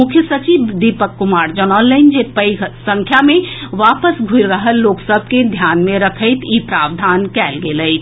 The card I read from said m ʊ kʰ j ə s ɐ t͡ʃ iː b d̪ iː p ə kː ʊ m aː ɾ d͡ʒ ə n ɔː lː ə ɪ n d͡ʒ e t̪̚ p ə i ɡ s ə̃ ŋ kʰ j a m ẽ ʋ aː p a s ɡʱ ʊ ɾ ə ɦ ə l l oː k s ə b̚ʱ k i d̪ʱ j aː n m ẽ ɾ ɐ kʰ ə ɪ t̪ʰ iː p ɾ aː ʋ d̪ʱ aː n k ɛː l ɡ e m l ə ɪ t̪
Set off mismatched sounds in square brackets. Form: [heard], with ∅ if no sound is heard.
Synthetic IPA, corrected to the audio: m ʊ kʰ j ə s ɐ t͡ʃ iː b d̪ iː p ə kː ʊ m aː ɾ d͡ʒ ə n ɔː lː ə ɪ n d͡ʒ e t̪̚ p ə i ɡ s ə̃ ŋ kʰ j a m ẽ ʋ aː p [ə] s ɡʱ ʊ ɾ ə ɦ ə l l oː k s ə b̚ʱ k [e] d̪ʱ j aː n m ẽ ɾ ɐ kʰ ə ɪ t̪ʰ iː p ɾ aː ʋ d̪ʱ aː n k ɛː l ɡ e [∅] l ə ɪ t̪